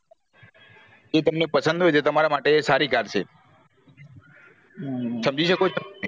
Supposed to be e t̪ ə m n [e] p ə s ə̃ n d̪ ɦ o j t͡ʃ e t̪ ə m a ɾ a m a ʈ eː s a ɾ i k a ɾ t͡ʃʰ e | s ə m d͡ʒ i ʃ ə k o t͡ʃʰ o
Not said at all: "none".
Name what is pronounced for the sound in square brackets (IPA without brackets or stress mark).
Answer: e